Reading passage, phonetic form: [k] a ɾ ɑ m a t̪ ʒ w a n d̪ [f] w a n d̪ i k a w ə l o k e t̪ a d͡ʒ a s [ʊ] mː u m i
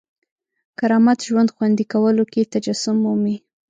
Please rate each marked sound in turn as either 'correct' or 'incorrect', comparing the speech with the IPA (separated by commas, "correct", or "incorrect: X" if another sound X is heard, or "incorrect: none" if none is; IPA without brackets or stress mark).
correct, incorrect: x, correct